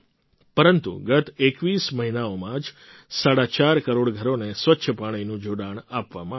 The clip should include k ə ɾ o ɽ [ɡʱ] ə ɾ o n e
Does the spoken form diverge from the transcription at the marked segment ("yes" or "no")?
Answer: no